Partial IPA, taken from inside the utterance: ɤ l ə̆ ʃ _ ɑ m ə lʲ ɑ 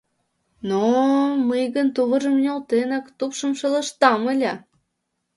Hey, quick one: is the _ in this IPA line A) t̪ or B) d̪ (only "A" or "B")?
A